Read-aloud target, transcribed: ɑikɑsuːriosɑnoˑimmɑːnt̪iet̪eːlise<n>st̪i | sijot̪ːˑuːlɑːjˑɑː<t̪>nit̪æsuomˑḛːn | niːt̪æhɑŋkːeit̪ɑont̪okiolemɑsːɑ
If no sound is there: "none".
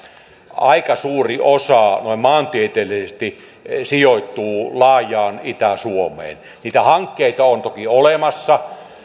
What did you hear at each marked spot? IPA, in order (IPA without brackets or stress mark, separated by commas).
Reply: none, none